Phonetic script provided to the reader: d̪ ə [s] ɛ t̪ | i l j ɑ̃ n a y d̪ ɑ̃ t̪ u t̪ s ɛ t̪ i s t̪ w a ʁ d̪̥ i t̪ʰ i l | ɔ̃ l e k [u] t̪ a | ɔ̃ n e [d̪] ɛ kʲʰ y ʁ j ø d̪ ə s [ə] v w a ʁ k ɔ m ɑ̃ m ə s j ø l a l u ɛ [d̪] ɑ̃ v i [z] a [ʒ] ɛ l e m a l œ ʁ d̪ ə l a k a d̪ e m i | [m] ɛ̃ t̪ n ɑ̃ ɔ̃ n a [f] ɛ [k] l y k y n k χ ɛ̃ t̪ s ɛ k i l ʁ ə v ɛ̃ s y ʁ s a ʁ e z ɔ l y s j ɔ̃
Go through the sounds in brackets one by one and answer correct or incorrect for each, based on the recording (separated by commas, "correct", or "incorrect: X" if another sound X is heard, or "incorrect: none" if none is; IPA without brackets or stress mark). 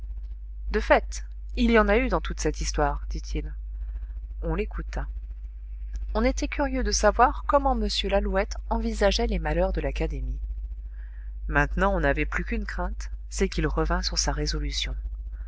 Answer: incorrect: f, correct, incorrect: t̪, incorrect: a, incorrect: t̪, correct, correct, correct, incorrect: v, incorrect: p